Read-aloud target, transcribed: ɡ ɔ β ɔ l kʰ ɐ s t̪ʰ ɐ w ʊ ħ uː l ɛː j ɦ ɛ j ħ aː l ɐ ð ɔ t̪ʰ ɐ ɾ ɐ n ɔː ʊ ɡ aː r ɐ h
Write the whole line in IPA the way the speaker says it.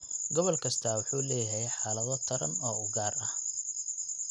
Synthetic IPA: ɡ ɔ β ɔ l kʰ ɐ s t̪ʰ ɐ w ʊ ħ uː l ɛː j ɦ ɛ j ħ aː l ɐ ð ɔ t̪ʰ ɐ ɾ ɐ n ɔː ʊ ɡ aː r ɐ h